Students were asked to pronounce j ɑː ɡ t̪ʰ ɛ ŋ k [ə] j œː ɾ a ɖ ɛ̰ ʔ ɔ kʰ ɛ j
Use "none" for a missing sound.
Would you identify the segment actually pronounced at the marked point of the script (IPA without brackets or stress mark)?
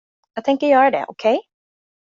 ə